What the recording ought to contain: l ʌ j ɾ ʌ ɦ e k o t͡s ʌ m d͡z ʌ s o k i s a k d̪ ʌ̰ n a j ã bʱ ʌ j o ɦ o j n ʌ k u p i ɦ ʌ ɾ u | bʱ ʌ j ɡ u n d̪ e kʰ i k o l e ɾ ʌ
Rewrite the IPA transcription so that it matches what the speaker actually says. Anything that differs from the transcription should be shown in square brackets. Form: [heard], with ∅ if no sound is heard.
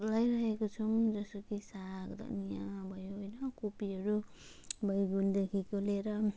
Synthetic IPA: l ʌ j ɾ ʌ ɦ e k o [t͡sʰ] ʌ m d͡z ʌ s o k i s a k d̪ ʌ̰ n [i] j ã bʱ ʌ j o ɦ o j n ʌ k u p i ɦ ʌ ɾ u | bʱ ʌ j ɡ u n d̪ e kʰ i k o l e ɾ ʌ